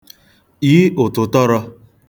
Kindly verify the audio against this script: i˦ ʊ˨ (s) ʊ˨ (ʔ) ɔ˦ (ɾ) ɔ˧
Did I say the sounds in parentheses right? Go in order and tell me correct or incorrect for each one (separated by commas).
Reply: incorrect, incorrect, correct